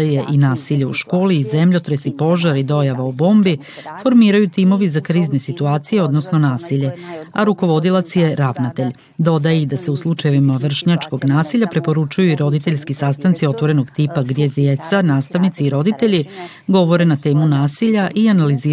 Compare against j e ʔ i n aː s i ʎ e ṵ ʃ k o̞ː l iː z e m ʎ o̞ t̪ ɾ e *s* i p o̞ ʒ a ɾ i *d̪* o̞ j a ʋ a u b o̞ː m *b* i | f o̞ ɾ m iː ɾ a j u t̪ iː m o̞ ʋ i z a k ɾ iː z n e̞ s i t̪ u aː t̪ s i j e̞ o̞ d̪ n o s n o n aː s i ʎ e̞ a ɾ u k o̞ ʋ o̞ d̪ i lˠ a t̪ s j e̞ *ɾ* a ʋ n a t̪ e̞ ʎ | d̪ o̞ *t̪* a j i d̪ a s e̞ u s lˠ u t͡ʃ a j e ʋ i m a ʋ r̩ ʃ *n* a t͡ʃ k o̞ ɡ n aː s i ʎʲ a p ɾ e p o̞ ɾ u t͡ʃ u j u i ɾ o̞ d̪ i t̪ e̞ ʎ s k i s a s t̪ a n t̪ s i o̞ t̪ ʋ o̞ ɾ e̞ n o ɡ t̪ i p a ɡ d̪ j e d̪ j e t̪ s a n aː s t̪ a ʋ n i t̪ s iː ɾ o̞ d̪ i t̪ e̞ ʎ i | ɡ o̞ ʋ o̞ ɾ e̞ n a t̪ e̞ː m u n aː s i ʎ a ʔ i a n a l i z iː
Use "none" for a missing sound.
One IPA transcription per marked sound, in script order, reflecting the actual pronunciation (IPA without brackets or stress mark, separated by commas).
s, d̪, b, ɾ, d̪, ɲ